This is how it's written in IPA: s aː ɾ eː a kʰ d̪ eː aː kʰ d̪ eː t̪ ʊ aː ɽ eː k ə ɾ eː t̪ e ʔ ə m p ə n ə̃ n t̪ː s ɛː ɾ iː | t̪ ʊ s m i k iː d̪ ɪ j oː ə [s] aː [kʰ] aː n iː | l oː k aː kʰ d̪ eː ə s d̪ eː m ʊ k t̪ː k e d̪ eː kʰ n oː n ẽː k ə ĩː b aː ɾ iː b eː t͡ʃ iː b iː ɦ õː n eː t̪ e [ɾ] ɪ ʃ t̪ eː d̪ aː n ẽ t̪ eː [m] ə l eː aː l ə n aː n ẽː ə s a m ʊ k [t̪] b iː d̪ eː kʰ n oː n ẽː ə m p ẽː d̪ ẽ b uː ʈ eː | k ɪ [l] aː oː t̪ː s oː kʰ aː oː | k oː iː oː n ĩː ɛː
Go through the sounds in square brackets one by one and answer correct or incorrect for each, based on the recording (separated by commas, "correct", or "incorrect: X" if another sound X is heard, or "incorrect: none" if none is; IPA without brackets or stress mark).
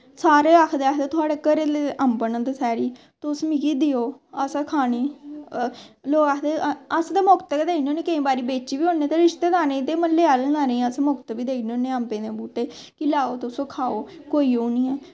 correct, correct, correct, correct, correct, correct